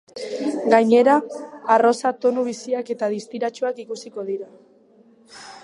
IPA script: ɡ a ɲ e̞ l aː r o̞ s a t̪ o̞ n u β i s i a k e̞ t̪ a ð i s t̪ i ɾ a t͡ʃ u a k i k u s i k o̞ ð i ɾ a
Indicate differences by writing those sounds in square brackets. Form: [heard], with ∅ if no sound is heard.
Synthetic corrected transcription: ɡ a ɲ e̞ [ɾ] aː r o̞ s a t̪ o̞ n u β i s i a k e̞ t̪ a ð i s t̪ i ɾ a t͡ʃ u a k i k u s i k o̞ ð i ɾ a